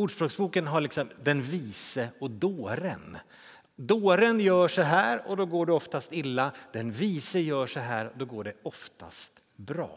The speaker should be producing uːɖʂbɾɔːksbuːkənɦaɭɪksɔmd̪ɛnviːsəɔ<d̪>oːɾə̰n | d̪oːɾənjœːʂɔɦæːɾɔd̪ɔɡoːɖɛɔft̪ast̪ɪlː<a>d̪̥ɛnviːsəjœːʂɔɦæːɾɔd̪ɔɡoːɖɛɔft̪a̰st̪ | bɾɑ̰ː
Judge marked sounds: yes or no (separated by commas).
yes, yes